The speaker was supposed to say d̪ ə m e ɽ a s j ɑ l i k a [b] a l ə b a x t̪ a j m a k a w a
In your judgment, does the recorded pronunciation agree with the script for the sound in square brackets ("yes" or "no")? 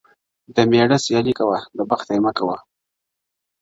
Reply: no